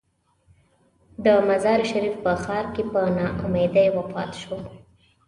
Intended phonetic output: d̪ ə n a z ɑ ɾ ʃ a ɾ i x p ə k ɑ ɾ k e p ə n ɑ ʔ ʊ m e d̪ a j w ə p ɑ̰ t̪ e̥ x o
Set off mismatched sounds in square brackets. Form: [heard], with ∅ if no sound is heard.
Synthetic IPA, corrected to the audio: d̪ ə [m] a z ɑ ɾ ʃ a ɾ i [f] p ə [x] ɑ ɾ k e p ə n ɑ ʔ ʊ m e d̪ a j w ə p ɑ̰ t̪ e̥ [ʃ] o